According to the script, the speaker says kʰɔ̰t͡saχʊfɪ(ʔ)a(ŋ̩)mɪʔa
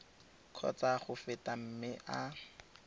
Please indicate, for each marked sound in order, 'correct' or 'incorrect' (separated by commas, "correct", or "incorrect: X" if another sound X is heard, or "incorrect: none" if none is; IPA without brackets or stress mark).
incorrect: t, incorrect: m̩